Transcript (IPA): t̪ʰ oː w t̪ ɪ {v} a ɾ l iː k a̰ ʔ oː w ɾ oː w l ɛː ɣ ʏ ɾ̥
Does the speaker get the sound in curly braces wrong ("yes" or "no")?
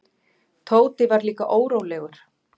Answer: no